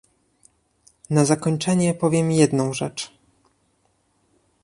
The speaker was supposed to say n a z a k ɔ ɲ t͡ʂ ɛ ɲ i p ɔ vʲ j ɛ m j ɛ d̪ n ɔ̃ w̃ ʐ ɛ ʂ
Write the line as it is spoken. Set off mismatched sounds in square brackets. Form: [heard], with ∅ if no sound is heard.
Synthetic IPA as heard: n a z a k ɔ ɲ t͡ʂ ɛ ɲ [ɛ] p ɔ vʲ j ɛ m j ɛ d̪ n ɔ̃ w̃ ʐ ɛ [t͡ʂ]